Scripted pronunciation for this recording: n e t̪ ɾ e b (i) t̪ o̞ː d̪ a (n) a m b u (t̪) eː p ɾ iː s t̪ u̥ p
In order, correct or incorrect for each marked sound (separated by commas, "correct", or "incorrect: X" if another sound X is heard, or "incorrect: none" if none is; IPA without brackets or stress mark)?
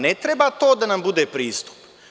incorrect: a, correct, incorrect: d̪